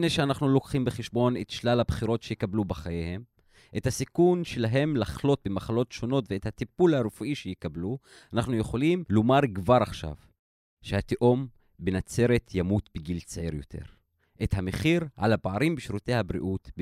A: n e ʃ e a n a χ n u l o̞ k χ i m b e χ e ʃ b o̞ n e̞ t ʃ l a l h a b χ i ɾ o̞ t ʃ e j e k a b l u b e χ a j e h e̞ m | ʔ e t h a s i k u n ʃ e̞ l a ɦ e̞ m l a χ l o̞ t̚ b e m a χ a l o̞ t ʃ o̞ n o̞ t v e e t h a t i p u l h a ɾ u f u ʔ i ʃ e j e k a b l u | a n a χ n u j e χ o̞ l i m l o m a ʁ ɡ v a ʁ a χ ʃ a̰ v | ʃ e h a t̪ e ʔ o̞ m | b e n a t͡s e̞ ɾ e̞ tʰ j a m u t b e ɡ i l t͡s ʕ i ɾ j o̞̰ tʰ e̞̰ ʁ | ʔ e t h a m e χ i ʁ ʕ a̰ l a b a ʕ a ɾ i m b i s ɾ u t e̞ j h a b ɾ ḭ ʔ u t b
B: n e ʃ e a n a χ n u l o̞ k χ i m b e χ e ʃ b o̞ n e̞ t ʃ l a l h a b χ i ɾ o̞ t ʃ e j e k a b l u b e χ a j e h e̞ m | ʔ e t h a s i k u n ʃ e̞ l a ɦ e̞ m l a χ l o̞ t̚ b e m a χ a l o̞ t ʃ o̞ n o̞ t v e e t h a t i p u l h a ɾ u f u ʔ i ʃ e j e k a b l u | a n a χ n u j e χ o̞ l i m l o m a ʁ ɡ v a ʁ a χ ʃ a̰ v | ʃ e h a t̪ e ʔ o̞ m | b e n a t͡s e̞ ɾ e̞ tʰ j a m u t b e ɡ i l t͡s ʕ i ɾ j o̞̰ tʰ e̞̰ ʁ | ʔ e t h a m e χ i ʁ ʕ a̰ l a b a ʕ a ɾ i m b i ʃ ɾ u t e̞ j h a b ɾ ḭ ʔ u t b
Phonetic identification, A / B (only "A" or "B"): B